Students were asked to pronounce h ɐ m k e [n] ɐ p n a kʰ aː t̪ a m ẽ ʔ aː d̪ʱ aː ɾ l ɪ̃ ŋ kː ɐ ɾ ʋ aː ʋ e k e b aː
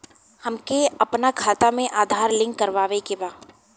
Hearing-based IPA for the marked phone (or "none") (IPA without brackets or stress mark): none